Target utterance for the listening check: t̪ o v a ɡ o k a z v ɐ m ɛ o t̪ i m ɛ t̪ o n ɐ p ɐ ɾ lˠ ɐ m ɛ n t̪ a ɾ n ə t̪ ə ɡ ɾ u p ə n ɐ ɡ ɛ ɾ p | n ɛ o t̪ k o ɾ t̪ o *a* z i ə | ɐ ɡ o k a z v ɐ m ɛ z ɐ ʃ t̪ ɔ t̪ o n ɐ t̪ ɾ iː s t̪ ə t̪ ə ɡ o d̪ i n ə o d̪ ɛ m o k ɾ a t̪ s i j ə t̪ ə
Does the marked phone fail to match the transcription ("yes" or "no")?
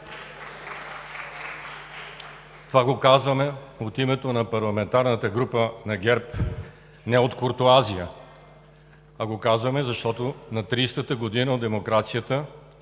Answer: no